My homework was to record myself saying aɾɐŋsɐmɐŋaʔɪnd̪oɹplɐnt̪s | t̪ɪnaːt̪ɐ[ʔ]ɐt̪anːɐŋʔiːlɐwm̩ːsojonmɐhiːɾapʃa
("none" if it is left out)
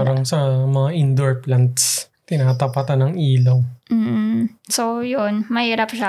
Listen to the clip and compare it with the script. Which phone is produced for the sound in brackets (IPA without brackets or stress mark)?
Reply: p